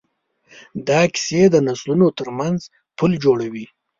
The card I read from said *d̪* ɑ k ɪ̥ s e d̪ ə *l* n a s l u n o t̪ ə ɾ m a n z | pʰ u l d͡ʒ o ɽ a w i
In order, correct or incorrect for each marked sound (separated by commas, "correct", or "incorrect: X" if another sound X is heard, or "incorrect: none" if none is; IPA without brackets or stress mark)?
correct, incorrect: none